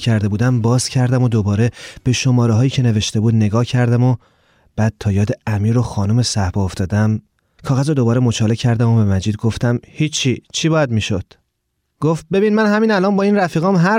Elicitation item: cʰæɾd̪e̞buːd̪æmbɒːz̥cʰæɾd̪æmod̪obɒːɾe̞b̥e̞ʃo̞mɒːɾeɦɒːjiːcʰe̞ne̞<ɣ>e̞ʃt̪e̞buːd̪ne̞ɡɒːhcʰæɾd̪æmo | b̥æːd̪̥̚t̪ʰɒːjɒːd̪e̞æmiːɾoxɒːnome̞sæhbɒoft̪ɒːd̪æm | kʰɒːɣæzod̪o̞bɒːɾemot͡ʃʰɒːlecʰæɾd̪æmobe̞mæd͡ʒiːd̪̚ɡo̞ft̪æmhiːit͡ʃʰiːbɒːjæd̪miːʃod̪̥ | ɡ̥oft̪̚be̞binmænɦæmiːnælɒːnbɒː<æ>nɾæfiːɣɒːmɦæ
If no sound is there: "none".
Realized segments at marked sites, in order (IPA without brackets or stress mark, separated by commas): v, i